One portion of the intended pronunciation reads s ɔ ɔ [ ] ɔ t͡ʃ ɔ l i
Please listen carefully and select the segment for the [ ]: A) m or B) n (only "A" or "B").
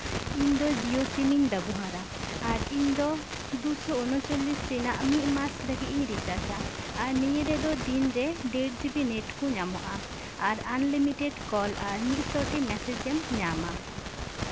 B